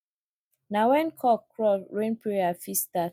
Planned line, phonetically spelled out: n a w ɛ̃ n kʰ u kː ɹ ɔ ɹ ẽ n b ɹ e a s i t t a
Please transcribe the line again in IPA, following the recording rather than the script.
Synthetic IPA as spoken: n a w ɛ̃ n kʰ ɔ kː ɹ ɔ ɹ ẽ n p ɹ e a f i s t a